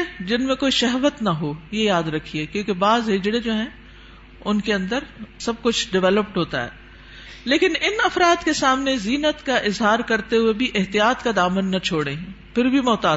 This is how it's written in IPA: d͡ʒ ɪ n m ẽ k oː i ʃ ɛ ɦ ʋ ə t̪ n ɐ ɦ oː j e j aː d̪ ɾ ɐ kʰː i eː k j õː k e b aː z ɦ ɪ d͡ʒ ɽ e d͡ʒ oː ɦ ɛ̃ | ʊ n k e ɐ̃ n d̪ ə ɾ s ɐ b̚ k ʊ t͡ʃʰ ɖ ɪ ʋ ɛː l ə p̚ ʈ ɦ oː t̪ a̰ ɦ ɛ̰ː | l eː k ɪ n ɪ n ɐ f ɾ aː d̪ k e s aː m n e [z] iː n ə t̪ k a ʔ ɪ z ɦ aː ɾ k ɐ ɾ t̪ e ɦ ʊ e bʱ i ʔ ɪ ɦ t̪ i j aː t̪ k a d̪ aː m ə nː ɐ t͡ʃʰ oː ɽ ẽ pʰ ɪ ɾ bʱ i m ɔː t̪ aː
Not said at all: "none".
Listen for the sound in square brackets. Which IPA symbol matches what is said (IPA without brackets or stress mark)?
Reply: z